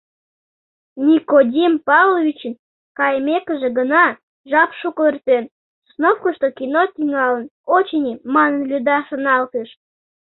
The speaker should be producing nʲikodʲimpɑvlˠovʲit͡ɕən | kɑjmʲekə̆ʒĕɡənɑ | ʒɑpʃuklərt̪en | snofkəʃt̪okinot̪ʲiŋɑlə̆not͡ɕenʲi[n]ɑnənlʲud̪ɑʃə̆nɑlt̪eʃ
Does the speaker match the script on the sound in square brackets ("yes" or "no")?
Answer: no